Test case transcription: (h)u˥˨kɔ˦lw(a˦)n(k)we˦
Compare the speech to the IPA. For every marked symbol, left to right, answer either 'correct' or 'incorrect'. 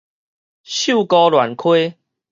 incorrect: ɕ, incorrect: a˨˩, incorrect: kʰ

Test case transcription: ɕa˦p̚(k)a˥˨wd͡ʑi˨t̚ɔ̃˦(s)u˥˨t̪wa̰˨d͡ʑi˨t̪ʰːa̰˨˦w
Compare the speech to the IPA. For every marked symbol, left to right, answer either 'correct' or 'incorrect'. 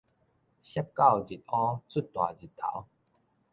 correct, incorrect: t͡s

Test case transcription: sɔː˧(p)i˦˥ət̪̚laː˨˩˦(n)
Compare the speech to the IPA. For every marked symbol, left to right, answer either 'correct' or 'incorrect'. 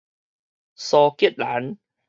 incorrect: k, correct

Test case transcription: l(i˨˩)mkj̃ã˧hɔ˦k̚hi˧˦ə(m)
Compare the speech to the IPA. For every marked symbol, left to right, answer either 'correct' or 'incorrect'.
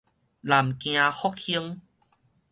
incorrect: a˨˩, incorrect: ŋ

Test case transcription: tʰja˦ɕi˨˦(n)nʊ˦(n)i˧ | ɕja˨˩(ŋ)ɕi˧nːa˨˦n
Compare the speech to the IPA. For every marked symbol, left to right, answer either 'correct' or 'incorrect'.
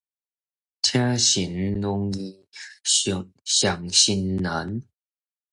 correct, incorrect: ŋ, correct

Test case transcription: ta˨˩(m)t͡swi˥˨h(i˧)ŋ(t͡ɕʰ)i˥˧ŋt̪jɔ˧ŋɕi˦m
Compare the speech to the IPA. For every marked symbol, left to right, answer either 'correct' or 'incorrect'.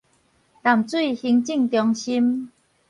correct, correct, incorrect: t͡ɕ

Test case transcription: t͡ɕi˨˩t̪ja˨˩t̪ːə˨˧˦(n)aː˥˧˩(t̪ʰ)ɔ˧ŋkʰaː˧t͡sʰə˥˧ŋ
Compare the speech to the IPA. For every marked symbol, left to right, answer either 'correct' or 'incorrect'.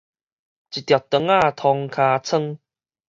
incorrect: ŋ, correct

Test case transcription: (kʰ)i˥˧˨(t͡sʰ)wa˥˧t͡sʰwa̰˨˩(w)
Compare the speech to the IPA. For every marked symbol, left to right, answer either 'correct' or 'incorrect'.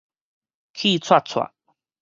correct, correct, incorrect: none

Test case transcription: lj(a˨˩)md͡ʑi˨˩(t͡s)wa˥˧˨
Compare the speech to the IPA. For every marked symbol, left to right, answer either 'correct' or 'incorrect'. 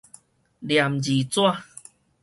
correct, correct

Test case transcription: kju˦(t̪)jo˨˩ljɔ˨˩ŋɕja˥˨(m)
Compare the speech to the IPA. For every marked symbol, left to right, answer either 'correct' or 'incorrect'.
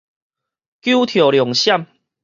incorrect: t̪ʰ, correct

